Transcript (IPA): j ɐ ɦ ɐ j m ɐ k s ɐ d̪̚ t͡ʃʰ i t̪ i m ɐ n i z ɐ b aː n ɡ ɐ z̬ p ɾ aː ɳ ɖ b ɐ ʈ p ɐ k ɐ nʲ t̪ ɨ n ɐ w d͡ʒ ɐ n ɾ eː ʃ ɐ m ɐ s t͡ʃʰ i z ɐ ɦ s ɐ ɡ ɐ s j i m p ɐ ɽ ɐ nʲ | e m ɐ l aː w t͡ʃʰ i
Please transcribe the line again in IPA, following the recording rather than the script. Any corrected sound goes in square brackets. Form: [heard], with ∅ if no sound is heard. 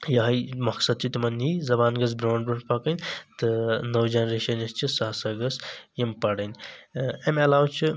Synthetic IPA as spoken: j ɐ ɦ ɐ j m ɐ k s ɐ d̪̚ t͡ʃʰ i t̪ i m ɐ n i z ɐ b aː n ɡ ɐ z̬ [b] ɾ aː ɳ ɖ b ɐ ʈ p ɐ k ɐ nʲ t̪ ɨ n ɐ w d͡ʒ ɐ n ɾ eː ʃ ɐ [n] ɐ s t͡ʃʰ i [s] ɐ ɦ s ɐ ɡ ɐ s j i m p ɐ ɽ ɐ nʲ | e m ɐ l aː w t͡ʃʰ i